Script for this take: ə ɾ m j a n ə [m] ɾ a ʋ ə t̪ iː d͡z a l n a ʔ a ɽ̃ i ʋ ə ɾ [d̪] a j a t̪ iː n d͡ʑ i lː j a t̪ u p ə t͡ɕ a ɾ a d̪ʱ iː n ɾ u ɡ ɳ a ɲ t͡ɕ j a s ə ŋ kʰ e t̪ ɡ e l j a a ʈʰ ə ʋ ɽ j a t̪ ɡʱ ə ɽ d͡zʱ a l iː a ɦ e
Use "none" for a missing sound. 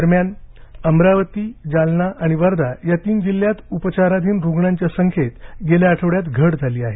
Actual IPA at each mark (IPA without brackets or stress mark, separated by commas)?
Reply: m, d̪